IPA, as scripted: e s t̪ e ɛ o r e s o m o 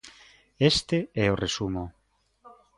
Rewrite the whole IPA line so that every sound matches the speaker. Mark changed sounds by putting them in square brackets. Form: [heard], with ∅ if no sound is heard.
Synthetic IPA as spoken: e s t̪ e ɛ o r e s [u] m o